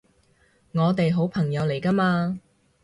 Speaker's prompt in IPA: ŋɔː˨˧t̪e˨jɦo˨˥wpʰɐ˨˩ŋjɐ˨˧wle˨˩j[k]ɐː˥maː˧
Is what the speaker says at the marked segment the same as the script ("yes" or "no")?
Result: yes